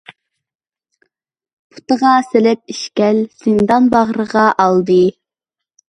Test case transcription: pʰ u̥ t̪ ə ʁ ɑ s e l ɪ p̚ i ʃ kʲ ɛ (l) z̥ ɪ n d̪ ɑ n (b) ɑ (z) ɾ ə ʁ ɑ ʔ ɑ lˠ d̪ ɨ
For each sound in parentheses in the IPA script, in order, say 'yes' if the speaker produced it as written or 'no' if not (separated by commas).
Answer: yes, yes, no